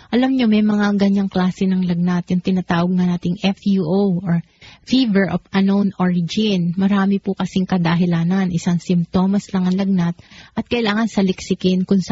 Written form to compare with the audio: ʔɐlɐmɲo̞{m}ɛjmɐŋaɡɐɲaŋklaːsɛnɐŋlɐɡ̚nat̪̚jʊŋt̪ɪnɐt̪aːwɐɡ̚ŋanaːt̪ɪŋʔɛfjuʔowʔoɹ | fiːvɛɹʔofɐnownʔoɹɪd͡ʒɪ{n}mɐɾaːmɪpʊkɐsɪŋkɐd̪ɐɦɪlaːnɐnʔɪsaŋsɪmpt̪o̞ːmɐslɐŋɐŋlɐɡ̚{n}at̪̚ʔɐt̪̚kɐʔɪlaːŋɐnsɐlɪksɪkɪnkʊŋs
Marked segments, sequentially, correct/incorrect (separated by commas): correct, correct, correct